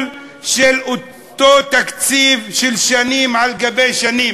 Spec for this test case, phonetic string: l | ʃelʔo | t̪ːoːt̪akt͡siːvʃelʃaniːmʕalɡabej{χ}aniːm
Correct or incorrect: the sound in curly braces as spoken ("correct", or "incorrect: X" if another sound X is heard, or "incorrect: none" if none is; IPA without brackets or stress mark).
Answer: incorrect: ʃ